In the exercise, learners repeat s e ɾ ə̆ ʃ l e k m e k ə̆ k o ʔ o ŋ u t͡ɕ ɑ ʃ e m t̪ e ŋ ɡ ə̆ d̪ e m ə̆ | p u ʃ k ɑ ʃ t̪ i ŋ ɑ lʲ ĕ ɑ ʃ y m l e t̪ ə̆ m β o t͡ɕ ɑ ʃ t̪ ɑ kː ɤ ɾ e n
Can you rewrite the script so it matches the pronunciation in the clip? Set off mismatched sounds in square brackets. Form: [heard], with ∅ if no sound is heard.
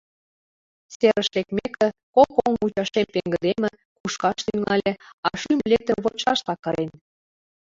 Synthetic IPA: s e ɾ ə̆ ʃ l e k m e k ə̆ k o [k] o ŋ u t͡ɕ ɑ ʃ e m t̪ e ŋ ɡ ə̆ d̪ e m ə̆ | [k] u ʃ k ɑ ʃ t̪ [y] ŋ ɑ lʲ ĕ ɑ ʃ y m l e t̪ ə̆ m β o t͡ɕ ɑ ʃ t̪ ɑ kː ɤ ɾ e n